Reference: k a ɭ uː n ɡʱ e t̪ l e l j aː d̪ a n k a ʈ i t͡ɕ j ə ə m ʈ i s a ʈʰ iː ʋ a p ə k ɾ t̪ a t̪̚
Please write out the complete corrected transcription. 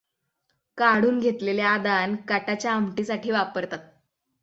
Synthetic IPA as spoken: k a ɽ uː n ɡʱ e t̪ l e l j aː d̪ a n k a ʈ a t͡ɕ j a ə m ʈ i s a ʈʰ iː ʋ a p ə ɾ t̪ a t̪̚